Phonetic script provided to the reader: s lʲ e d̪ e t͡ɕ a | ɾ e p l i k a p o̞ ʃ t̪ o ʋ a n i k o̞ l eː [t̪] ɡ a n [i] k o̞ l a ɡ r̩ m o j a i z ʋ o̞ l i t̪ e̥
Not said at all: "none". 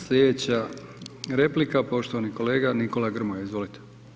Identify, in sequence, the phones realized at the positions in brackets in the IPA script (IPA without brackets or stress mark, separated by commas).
none, i